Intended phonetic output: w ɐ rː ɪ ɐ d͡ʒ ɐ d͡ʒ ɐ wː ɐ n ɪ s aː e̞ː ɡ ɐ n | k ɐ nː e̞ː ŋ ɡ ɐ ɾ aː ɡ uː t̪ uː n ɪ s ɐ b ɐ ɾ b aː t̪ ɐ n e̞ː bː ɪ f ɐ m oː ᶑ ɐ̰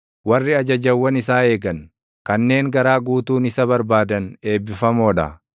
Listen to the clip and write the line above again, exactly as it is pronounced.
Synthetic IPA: w ɐ rː ɪ ɐ d͡ʒ ɐ d͡ʒ ɐ wː ɐ n ɪ s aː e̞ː ɡ ɐ n | k ɐ nː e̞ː ŋ ɡ ɐ ɾ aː ɡ uː t̪ uː n ɪ s ɐ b ɐ ɾ b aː d̪ ɐ n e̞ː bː ɪ f ɐ m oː ᶑ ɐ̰